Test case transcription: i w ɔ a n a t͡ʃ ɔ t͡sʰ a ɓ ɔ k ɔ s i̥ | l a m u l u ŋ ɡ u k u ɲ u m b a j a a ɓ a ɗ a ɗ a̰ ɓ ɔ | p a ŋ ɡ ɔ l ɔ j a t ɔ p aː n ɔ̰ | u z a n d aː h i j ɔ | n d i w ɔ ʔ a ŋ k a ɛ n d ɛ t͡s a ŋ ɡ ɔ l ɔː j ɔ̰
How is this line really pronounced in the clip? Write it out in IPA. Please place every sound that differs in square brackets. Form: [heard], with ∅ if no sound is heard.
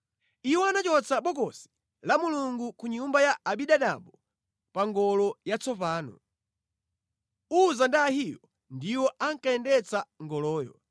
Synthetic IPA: i w ɔ a n a t͡ʃ ɔ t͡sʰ a ɓ ɔ k ɔ s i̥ | l a m u l u ŋ ɡ u k u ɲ u m b a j a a ɓ [i] ɗ a ɗ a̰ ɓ ɔ | p a ŋ ɡ ɔ l ɔ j a [t͡s] ɔ p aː n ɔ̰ | u z a n d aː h i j ɔ | n d i w ɔ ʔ a ŋ k a ɛ n d ɛ t͡s a ŋ ɡ ɔ l ɔː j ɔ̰

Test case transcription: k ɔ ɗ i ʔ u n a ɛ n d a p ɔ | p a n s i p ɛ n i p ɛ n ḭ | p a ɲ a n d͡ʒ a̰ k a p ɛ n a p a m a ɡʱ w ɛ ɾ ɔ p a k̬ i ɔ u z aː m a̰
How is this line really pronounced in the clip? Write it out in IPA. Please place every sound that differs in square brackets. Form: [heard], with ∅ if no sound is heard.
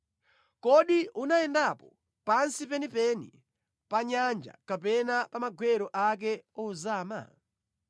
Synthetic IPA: k ɔ ɗ i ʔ u n a ɛ n d a p ɔ | p a n s i p ɛ n i p ɛ n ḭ | p a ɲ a n d͡ʒ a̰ k a p ɛ n a p a m a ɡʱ w ɛ ɾ ɔ [ʔ] a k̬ [ɛ] ɔ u z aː m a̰

